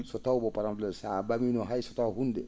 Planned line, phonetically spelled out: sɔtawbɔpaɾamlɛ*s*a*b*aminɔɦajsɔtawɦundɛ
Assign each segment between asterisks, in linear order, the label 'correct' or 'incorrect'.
correct, correct

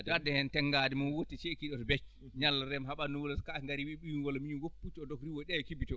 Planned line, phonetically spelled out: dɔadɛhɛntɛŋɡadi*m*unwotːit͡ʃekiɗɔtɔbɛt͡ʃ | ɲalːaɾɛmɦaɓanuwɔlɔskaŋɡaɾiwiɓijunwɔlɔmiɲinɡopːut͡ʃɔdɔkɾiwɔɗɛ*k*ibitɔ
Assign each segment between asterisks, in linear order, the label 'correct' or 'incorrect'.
correct, correct

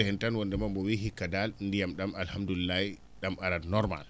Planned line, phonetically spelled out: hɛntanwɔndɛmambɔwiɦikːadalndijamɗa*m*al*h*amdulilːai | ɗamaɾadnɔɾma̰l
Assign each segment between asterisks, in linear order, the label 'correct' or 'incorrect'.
correct, correct

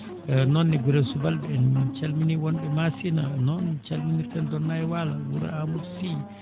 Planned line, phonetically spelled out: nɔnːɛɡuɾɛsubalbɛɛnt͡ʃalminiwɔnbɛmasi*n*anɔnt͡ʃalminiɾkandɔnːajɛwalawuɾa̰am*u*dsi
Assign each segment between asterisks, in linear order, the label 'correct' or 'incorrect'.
correct, correct

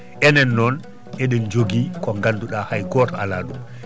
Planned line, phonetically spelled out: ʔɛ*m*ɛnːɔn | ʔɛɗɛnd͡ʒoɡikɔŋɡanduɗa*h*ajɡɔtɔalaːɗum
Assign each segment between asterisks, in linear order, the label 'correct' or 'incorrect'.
incorrect: n, correct

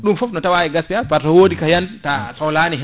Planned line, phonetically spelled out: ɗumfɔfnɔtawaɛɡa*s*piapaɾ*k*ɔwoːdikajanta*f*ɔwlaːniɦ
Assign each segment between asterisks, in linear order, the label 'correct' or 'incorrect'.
correct, incorrect: t, incorrect: s

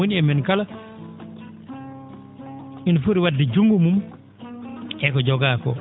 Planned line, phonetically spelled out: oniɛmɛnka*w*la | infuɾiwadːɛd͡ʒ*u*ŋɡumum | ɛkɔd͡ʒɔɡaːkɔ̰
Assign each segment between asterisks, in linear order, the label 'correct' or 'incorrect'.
incorrect: none, correct

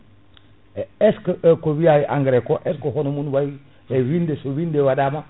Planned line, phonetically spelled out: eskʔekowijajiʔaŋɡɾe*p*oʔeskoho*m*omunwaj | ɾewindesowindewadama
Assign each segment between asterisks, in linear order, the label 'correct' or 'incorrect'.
incorrect: k, incorrect: n

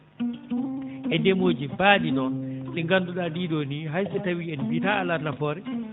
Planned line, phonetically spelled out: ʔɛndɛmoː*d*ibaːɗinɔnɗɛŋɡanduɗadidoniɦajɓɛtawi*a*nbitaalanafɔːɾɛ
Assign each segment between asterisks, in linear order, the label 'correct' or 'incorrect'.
incorrect: d͡ʒ, incorrect: ɛ

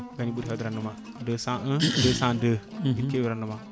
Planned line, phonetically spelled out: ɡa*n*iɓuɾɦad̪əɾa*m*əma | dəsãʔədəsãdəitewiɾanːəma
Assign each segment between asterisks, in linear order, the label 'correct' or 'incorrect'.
correct, incorrect: n

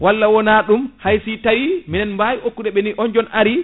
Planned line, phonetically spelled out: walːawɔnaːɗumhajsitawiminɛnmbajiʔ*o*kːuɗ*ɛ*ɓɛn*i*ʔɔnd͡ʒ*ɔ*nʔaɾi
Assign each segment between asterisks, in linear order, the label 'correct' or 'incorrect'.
correct, correct, correct, correct

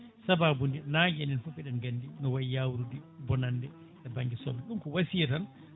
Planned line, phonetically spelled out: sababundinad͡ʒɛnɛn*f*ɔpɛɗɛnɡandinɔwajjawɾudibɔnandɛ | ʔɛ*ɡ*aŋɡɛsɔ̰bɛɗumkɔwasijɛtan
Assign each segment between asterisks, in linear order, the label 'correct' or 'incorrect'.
correct, incorrect: b

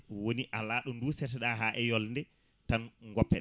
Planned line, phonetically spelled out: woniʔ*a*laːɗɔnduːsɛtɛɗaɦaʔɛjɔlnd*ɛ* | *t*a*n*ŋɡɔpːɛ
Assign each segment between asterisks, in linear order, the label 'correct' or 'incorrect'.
correct, correct, correct, correct

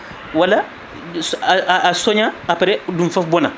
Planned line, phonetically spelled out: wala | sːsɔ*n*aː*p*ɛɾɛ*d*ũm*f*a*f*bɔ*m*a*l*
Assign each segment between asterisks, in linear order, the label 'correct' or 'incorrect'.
incorrect: ɲ, correct, correct, correct, correct, incorrect: n, incorrect: none

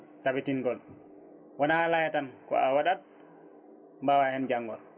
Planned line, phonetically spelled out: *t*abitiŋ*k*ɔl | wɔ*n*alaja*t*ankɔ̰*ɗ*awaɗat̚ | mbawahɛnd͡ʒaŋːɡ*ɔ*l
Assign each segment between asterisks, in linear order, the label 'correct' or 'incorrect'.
correct, incorrect: ɡ, correct, correct, incorrect: none, correct

